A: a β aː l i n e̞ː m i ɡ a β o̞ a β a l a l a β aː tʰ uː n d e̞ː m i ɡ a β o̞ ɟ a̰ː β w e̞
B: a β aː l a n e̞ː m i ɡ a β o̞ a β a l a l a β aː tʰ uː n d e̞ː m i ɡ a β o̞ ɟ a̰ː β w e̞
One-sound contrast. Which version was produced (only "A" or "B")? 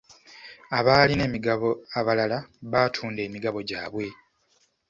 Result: A